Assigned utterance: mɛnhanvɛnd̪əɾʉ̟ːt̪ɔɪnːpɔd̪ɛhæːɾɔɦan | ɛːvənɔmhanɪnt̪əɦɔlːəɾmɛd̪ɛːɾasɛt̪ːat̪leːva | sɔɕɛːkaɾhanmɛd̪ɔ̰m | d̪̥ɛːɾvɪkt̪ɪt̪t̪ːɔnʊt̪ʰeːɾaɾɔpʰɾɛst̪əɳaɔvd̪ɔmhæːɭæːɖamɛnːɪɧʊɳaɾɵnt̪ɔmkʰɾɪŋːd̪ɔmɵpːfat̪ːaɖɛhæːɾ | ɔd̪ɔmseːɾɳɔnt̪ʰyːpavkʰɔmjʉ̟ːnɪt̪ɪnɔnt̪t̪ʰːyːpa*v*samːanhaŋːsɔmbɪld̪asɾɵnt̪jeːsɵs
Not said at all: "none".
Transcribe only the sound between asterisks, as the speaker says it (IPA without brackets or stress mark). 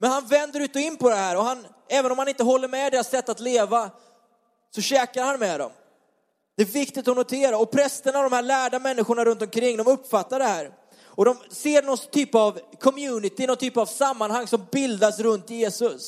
v